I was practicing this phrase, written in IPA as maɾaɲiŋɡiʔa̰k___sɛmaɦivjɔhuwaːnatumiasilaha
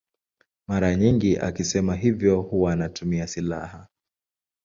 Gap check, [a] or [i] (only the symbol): i